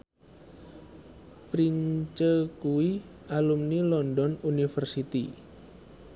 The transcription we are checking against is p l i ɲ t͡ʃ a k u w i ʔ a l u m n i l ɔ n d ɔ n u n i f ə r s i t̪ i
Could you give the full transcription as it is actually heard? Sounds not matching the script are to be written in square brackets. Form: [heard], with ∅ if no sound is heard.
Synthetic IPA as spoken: p [ɾ] i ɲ t͡ʃ [ə] k u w i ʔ a l u m n i l ɔ n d ɔ n u n i f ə r s i t̪ i